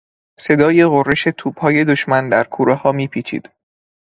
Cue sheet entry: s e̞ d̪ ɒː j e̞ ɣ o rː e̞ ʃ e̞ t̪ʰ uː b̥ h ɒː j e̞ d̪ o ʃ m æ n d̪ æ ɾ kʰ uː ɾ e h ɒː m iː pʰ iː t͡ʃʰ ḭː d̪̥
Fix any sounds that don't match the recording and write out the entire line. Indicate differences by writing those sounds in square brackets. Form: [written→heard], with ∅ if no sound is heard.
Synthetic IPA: s e̞ d̪ ɒː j e̞ ɣ o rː e̞ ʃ e̞ t̪ʰ uː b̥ h ɒː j e̞ d̪ o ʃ m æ n d̪ æ ɾ kʰ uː ɾ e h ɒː m iː pʰ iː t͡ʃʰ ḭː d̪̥